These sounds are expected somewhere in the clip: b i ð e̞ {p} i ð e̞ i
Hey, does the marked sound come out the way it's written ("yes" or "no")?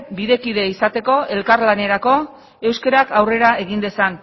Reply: no